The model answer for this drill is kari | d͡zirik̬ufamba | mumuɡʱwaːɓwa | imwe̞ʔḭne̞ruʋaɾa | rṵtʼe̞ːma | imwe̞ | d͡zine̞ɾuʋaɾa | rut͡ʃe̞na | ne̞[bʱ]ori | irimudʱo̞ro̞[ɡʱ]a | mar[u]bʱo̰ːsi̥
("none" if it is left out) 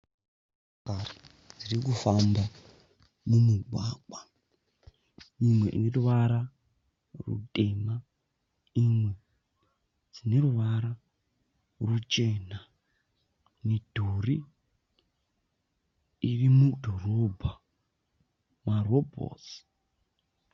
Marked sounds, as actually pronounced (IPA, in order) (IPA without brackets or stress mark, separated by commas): dʱ, bʱ, o